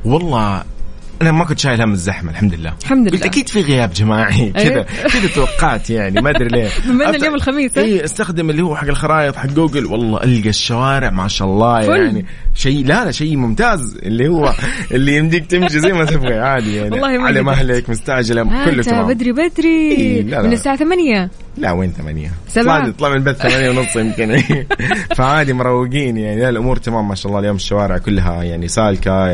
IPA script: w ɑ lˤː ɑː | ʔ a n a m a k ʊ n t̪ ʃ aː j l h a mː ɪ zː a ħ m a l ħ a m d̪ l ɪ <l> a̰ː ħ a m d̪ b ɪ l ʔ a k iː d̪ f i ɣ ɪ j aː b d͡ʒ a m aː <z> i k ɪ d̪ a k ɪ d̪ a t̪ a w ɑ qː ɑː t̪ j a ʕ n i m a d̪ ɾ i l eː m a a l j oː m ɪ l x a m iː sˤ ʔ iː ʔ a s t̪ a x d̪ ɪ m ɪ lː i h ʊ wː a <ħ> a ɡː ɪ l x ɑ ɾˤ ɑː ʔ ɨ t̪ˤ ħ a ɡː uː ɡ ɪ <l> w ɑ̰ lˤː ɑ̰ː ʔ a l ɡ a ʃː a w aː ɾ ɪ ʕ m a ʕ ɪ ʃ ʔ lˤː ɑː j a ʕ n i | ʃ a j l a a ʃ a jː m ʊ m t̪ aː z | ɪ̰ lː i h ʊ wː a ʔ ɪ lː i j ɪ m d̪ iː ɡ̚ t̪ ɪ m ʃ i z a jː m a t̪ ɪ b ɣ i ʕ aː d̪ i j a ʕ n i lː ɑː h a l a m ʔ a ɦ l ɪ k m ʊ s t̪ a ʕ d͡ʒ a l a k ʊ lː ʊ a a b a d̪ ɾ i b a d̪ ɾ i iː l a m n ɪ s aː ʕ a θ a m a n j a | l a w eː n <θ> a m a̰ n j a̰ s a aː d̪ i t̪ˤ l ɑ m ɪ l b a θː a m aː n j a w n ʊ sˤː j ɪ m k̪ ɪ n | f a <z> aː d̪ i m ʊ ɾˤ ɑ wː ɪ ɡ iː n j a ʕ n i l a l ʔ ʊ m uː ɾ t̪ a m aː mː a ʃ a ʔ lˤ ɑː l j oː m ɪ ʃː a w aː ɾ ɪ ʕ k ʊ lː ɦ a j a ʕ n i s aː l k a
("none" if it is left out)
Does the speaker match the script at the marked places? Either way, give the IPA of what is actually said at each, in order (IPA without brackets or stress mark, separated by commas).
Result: lː, ʕ, ħ, l, θ, ʕ